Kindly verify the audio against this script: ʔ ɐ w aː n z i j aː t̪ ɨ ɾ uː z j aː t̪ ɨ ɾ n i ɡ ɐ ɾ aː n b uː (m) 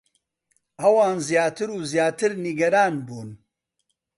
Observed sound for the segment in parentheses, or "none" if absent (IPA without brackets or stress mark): n